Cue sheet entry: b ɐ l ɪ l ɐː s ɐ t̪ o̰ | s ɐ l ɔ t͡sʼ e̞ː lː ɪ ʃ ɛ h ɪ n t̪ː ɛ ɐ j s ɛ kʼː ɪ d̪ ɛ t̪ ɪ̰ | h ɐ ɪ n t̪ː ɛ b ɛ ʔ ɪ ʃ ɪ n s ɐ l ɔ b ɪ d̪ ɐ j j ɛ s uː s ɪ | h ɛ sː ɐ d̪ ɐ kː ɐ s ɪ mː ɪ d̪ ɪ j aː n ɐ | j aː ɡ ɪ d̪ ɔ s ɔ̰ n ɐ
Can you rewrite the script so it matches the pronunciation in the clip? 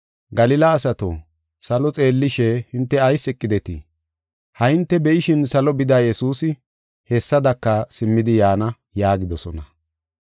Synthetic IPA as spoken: ɡ ɐ l ɪ l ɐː s ɐ t̪ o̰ | s ɐ l ɔ t͡sʼ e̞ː lː ɪ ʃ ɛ h ɪ n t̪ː ɛ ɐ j s ɛ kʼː ɪ d̪ ɛ t̪ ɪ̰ | h ɐ ɪ n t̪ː ɛ b ɛ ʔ ɪ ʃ ɪ n s ɐ l ɔ b ɪ d̪ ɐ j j ɛ s uː s ɪ | h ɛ sː ɐ d̪ ɐ kː ɐ s ɪ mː ɪ d̪ ɪ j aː n ɐ | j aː ɡ ɪ d̪ ɔ s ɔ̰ n ɐ